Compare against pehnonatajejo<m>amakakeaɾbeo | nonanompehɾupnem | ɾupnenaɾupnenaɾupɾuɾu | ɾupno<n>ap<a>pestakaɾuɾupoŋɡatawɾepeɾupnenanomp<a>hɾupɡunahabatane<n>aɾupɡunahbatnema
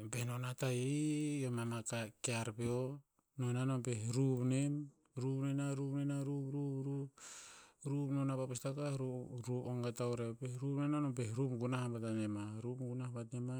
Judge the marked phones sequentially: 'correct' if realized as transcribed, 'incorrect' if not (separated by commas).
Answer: correct, correct, correct, incorrect, incorrect